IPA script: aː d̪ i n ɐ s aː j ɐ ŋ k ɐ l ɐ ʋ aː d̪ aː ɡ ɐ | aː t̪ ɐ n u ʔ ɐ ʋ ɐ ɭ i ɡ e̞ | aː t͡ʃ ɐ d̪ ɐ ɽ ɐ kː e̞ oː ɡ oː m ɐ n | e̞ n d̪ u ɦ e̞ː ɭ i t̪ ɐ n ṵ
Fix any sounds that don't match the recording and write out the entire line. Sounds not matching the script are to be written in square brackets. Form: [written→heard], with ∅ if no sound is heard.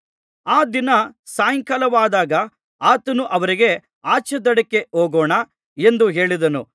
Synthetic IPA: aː d̪ i n ɐ s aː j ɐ ŋ k ɐ l ɐ ʋ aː d̪ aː ɡ ɐ | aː t̪ ɐ n u ʔ ɐ ʋ ɐ [ɭ→ɾ] i ɡ e̞ | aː t͡ʃ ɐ d̪ ɐ ɽ ɐ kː e̞ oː ɡ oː [m→ɳ] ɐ [n→∅] | e̞ n d̪ u ɦ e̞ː ɭ i [t̪→d̪] ɐ n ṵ

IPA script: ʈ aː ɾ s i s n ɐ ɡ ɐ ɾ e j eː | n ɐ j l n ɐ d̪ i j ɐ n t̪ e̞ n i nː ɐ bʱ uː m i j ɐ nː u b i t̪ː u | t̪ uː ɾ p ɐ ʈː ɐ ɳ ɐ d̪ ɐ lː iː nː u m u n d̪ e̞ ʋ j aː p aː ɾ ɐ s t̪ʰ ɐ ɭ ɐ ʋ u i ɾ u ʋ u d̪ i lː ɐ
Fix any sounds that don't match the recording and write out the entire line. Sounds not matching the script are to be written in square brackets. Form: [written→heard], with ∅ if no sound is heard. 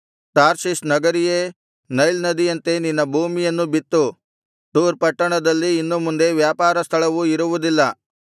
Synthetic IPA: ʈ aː ɾ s i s n ɐ ɡ ɐ ɾ [e→i] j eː | n ɐ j l n ɐ d̪ i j ɐ n t̪ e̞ n i nː ɐ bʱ uː m i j ɐ nː u b i t̪ː u | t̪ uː ɾ p ɐ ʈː ɐ ɳ ɐ d̪ ɐ lː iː nː u m u n d̪ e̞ ʋ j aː p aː ɾ ɐ s t̪ʰ ɐ ɭ ɐ ʋ u i ɾ u ʋ u d̪ i lː ɐ

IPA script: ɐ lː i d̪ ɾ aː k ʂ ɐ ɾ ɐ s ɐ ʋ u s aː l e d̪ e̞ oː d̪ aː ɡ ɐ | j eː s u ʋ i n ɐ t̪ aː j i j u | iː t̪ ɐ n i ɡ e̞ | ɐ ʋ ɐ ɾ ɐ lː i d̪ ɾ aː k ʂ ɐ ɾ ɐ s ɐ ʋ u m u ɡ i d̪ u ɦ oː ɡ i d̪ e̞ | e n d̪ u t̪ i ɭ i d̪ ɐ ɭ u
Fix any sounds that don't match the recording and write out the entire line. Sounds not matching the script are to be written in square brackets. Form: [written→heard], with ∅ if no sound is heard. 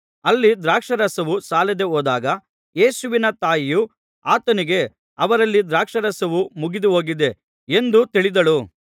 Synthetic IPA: ɐ lː i d̪ ɾ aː k ʂ ɐ ɾ ɐ s ɐ ʋ u s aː l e d̪ e̞ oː d̪ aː ɡ ɐ | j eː s u ʋ i n ɐ t̪ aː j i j u | [iː→aː] t̪ ɐ n i ɡ e̞ | ɐ ʋ ɐ ɾ ɐ lː i d̪ ɾ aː k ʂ ɐ ɾ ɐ s ɐ ʋ u m u ɡ i d̪ u ɦ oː ɡ i d̪ e̞ | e n d̪ u t̪ i ɭ i d̪ ɐ ɭ u

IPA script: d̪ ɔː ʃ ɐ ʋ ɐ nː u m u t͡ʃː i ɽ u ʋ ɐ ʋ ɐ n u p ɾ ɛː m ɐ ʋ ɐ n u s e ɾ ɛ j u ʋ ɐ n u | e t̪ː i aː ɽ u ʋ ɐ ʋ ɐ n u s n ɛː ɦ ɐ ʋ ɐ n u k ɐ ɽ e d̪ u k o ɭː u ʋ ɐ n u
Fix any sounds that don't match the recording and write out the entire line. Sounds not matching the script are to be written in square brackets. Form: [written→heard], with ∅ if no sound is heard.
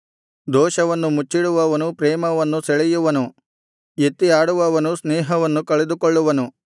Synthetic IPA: d̪ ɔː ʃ ɐ ʋ ɐ nː u m u t͡ʃː i ɽ u ʋ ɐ ʋ ɐ n u p ɾ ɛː m ɐ ʋ ɐ [n→nː] u s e [ɾ→ɭ] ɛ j u ʋ ɐ n u | e t̪ː i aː ɽ u ʋ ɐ ʋ ɐ n u s n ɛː ɦ ɐ ʋ ɐ [n→nː] u k ɐ [ɽ→ɭ] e d̪ u k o ɭː u ʋ ɐ n u

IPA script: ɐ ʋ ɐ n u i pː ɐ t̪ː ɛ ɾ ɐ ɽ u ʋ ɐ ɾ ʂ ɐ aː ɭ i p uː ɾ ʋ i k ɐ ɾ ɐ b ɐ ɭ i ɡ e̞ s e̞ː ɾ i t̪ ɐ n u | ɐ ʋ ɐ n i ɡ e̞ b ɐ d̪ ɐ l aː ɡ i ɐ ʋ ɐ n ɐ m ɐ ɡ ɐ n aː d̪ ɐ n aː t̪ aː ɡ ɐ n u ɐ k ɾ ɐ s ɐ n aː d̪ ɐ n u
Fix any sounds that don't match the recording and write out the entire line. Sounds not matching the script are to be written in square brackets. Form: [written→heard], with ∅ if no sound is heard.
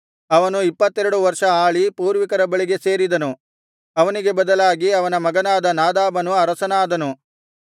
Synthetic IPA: ɐ ʋ ɐ n u i pː ɐ t̪ː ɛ ɾ ɐ ɽ u ʋ ɐ ɾ ʂ ɐ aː ɭ i p uː ɾ ʋ i k ɐ ɾ ɐ b ɐ ɭ i ɡ e̞ s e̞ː ɾ i [t̪→d̪] ɐ n u | ɐ ʋ ɐ n i ɡ e̞ b ɐ d̪ ɐ l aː ɡ i ɐ ʋ ɐ n ɐ m ɐ ɡ ɐ n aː d̪ ɐ n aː [t̪→d̪] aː [ɡ→b] ɐ n u ɐ [k→∅] ɾ ɐ s ɐ n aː d̪ ɐ n u

